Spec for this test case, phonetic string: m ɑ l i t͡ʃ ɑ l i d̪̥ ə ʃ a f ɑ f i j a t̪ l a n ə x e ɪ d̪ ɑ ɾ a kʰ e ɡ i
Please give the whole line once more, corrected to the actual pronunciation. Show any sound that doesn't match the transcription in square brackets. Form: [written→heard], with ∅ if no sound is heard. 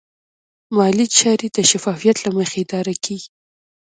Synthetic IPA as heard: m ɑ l i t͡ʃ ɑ [l→ɾ] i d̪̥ ə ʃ a f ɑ f i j a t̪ l a [n→m] ə x e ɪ d̪ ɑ ɾ a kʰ e ɡ i